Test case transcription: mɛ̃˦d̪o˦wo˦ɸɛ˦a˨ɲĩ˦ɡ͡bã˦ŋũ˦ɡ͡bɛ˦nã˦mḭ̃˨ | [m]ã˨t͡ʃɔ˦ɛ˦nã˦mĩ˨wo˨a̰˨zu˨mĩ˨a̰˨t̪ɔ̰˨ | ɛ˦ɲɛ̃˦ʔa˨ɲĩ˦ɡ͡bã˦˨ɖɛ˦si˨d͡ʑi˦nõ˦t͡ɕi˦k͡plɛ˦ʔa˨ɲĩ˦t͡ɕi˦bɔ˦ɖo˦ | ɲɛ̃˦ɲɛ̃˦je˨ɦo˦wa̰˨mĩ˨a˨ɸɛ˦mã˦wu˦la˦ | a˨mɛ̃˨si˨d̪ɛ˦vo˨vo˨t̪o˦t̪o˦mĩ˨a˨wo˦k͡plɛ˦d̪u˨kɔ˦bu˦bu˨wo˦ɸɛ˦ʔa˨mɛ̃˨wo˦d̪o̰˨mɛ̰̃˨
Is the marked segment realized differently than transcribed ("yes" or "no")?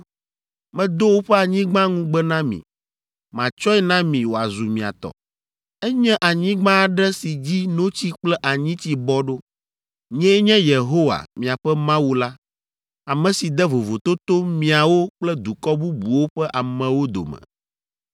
no